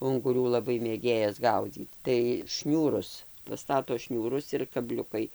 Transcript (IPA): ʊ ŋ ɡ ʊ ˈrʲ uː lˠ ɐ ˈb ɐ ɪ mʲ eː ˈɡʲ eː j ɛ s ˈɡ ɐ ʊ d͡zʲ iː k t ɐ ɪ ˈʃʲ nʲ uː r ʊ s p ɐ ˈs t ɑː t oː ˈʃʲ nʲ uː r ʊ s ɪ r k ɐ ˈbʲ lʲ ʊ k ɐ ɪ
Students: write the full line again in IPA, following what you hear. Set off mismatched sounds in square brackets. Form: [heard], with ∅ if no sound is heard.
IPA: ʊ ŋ ɡ ʊ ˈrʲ uː lˠ ɐ ˈb ɐ ɪ mʲ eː ˈɡʲ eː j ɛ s ˈɡ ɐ ʊ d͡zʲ iː [t] t ɐ ɪ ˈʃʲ nʲ uː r ʊ s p ɐ ˈs t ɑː t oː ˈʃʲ nʲ uː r ʊ s ɪ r k ɐ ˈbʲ lʲ ʊ k ɐ ɪ